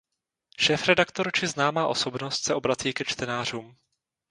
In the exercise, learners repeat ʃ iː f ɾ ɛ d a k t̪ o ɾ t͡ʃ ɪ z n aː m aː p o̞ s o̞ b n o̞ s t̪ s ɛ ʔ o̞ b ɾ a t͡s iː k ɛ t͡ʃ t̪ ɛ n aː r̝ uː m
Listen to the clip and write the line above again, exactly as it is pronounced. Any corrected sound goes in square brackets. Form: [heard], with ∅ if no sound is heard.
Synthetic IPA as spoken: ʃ [ɛː] f ɾ ɛ d a k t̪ o ɾ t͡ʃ ɪ z n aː m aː [ʔ] o̞ s o̞ b n o̞ s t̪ s ɛ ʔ o̞ b ɾ a t͡s iː k ɛ t͡ʃ t̪ ɛ n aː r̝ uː m